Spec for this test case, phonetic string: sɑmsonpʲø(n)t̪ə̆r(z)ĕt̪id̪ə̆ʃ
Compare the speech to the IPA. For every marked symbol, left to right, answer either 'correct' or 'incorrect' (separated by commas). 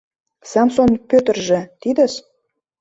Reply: incorrect, incorrect